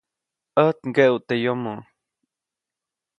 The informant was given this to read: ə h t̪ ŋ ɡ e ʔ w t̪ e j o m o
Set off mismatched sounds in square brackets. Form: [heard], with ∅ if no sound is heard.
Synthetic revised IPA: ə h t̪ ŋ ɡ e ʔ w t̪ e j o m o